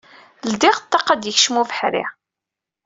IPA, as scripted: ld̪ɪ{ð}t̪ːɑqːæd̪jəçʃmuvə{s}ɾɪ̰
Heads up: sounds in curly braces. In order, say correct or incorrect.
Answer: incorrect, incorrect

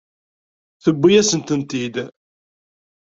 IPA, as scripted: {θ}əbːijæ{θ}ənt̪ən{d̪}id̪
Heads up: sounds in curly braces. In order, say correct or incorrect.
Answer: correct, incorrect, incorrect

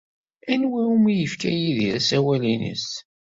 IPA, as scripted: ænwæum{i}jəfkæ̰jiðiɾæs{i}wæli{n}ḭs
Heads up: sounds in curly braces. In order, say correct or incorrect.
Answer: correct, incorrect, correct

